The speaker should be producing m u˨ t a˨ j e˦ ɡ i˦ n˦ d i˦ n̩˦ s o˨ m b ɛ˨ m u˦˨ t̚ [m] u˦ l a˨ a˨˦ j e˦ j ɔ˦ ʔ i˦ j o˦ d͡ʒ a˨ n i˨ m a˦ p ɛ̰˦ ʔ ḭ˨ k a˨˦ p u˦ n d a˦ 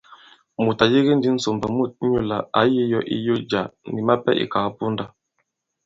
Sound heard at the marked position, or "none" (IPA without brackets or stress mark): ɲ